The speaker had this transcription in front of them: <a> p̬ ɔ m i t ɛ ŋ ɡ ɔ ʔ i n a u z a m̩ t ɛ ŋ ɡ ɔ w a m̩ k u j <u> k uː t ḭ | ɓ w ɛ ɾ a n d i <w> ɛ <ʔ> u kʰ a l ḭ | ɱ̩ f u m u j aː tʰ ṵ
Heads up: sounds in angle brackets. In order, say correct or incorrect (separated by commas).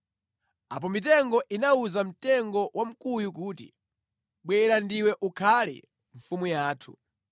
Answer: correct, correct, correct, correct